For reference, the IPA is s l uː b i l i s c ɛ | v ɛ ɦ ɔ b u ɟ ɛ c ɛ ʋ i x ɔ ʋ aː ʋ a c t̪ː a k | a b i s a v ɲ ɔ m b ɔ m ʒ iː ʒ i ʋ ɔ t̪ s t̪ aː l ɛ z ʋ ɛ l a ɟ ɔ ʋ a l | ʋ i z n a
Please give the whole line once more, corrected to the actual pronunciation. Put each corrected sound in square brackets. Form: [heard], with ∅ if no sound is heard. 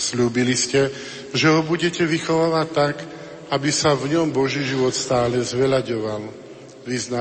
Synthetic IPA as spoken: s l uː b i l i s c ɛ | [ʒ] ɛ ɦ ɔ b u ɟ ɛ c ɛ ʋ i x ɔ ʋ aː ʋ a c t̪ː a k | a b i s a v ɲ ɔ m b ɔ [∅] ʒ iː ʒ i ʋ ɔ t̪ s t̪ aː l ɛ z ʋ ɛ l a ɟ ɔ ʋ a l | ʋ i z n a